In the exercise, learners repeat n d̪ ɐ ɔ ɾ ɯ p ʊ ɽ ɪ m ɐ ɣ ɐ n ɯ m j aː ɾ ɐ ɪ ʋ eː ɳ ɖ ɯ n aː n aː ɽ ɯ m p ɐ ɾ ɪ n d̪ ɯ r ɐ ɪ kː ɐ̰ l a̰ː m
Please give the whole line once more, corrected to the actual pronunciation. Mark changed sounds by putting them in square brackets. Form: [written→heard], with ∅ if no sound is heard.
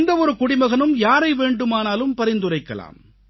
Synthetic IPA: n d̪ ɐ ɔ ɾ ɯ [p→k] ʊ ɽ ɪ m ɐ ɣ ɐ n ɯ m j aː ɾ ɐ ɪ ʋ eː ɳ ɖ ɯ [n→m] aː n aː [ɽ→l] ɯ m p ɐ ɾ ɪ n d̪ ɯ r ɐ ɪ kː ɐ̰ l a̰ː m